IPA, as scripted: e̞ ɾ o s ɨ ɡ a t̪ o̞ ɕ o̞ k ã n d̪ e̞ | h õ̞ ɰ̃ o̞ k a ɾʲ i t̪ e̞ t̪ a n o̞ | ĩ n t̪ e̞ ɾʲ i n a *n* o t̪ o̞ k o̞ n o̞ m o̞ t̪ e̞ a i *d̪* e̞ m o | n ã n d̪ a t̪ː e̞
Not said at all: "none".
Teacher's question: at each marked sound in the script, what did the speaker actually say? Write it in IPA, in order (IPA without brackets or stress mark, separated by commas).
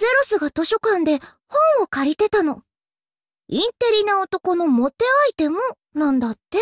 none, t̪